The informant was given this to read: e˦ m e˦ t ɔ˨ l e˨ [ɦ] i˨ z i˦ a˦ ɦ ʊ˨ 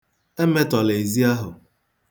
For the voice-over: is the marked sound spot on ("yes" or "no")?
no